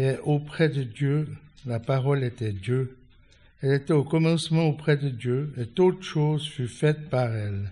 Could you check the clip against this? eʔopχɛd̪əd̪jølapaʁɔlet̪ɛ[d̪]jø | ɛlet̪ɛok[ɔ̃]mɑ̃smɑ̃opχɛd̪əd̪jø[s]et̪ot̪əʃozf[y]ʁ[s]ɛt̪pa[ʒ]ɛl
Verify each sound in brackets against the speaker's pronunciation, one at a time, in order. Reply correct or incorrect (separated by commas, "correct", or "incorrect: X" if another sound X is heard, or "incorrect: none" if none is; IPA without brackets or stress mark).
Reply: correct, incorrect: ɔ, incorrect: none, correct, incorrect: f, incorrect: ʁ